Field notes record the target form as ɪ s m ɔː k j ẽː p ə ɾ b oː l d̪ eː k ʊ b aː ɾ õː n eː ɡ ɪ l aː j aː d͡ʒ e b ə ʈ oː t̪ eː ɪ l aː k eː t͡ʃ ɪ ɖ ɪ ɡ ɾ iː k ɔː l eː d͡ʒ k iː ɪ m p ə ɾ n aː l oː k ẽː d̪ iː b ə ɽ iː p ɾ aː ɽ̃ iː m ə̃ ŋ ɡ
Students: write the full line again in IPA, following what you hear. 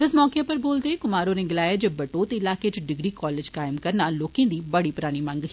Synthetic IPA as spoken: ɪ s m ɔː k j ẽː p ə ɾ b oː l d̪ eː k ʊ m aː ɾ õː n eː ɡ ɪ l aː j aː d͡ʒ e b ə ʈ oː t̪ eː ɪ l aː k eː t͡ʃ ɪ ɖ ɪ ɡ ɾ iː k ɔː l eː d͡ʒ k aː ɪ m k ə ɾ n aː l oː k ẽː d̪ iː b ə ɽ iː p ɾ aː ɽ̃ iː m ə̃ ŋ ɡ